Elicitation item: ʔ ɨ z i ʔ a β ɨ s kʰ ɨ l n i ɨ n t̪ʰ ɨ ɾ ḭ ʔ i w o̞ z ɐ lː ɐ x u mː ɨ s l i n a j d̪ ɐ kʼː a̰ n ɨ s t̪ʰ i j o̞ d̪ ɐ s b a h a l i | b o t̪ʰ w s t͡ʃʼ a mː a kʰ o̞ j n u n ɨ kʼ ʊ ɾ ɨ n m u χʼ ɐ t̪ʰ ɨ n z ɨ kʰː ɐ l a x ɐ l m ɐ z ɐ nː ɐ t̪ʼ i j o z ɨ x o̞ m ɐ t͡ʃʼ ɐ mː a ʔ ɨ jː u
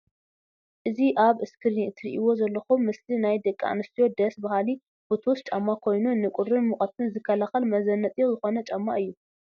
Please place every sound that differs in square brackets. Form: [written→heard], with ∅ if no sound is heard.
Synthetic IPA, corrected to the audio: ʔ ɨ z i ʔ a β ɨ s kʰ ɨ [l→ɾ] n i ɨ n t̪ʰ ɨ ɾ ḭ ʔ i w o̞ z ɐ lː ɐ x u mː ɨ s l i n a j d̪ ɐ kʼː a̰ n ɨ s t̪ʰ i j o̞ d̪ ɐ s b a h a l i | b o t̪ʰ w s t͡ʃʼ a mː a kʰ o̞ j n u n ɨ kʼ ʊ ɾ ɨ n m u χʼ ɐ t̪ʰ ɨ n z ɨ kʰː ɐ l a x ɐ l m ɐ z ɐ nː ɐ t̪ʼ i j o z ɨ x o̞ [m→n] ɐ t͡ʃʼ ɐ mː a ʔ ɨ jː u